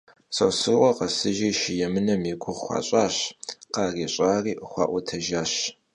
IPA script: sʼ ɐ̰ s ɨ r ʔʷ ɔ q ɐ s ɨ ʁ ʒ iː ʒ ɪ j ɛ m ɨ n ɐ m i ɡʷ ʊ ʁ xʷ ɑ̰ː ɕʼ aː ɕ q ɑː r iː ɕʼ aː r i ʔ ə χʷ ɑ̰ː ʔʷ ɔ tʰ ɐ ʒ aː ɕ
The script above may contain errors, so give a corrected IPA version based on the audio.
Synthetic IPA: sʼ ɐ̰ s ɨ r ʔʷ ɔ q ɐ s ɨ ʒ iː ʃ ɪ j ɛ m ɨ n ɐ m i ɡʷ ʊ ʁ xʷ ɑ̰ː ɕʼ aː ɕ q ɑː r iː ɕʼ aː r iː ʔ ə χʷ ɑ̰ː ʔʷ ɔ tʰ ɐ ʒ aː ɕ